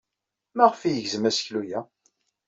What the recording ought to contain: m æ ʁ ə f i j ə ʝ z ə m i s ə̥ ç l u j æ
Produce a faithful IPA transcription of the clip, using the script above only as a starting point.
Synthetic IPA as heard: m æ ʁ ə f i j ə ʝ z ə m æ s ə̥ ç l u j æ